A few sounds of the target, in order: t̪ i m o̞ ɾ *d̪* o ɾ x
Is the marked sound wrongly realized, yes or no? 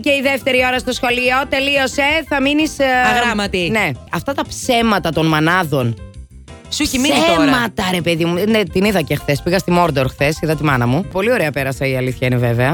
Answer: no